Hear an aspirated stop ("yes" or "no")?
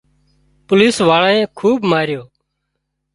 yes